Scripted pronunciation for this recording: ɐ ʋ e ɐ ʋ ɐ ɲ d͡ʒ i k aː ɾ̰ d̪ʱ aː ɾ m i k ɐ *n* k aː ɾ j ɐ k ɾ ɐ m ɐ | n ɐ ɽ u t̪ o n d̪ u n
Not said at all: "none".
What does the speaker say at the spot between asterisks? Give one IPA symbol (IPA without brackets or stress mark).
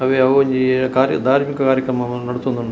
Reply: none